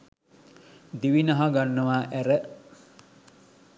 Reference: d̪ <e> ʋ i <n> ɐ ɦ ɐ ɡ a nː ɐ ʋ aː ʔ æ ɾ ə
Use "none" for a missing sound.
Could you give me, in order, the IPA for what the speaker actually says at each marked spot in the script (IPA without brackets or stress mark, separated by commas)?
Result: i, n